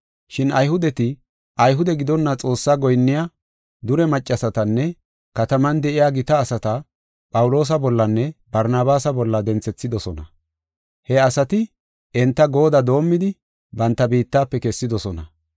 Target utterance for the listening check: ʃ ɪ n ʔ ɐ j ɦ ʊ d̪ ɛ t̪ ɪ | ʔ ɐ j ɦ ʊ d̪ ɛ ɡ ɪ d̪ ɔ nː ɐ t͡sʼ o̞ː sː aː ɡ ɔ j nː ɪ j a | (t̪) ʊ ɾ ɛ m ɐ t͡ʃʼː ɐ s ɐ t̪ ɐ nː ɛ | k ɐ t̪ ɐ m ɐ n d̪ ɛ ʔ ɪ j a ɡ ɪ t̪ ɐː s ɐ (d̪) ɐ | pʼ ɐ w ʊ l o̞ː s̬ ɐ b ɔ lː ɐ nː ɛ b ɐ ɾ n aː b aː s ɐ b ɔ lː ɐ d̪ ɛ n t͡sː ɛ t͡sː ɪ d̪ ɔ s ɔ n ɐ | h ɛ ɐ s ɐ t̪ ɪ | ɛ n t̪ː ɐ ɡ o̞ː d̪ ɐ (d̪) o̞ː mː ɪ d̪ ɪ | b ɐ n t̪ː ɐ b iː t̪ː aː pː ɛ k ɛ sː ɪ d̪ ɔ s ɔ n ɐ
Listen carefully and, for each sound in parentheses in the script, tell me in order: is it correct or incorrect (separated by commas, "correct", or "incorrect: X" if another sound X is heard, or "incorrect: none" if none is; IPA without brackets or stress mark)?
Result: incorrect: d̪, incorrect: t̪, correct